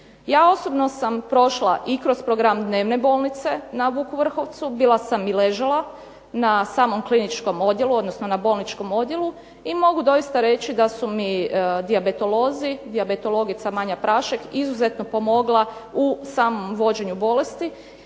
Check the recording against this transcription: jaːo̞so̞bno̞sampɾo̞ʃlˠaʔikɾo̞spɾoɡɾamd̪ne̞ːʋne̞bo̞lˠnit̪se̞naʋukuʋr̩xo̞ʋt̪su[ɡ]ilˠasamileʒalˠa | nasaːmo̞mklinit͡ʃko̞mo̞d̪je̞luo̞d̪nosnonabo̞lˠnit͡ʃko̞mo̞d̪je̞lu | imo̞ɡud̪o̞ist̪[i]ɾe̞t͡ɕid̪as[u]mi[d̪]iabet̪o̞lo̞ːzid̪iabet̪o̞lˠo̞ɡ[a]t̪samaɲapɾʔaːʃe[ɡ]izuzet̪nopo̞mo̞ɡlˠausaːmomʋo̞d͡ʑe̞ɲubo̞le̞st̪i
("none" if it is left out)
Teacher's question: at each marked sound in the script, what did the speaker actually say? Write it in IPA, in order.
b, a, u, d̪, i, k

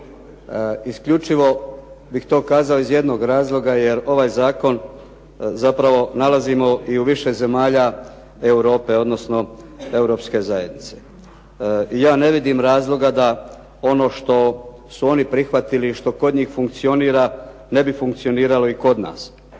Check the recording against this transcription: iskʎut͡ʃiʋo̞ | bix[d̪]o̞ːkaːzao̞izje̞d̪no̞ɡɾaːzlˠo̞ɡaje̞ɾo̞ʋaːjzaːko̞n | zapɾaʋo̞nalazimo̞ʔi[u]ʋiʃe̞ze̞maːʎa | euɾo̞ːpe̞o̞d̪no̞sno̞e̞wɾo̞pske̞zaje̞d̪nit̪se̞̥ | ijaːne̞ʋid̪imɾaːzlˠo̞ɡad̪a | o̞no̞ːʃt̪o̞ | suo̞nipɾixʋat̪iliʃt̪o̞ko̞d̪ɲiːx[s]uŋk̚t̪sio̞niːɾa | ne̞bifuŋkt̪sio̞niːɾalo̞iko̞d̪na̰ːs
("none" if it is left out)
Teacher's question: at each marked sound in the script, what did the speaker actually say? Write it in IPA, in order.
t̪, u, f

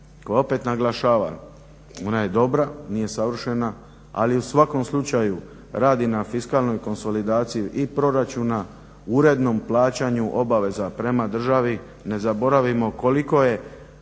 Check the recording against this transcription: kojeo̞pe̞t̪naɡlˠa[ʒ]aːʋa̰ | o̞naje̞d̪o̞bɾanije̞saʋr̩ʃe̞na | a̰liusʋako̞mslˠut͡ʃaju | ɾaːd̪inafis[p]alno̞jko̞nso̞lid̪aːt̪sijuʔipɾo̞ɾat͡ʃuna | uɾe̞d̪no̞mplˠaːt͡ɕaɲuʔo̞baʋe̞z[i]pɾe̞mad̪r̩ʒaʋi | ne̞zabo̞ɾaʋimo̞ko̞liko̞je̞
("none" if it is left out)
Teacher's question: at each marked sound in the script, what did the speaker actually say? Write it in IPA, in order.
ʃ, k, a

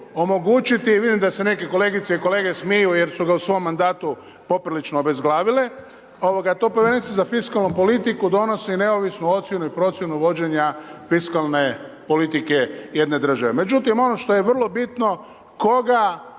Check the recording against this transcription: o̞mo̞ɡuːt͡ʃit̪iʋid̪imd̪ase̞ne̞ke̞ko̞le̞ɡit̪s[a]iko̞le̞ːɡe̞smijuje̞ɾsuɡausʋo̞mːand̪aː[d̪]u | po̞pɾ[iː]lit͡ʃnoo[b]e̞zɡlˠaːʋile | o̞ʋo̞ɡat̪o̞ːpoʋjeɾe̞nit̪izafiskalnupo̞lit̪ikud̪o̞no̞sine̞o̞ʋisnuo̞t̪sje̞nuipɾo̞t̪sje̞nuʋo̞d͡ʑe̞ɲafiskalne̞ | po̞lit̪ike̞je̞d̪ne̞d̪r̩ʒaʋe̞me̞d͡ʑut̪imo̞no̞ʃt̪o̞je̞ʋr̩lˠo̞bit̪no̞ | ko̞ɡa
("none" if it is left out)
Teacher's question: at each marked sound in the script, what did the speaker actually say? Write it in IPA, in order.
e, t̪, i, b

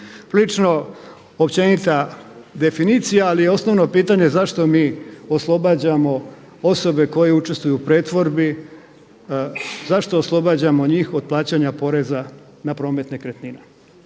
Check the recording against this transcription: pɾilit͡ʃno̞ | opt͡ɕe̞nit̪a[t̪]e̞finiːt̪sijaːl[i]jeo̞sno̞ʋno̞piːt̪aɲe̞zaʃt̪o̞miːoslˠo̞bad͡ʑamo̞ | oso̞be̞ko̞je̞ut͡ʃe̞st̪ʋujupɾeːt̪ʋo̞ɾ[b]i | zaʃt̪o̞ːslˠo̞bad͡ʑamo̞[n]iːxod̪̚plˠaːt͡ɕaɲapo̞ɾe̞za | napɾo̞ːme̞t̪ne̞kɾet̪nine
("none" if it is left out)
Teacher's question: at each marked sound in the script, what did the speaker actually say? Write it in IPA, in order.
d̪, i, b, ɲ

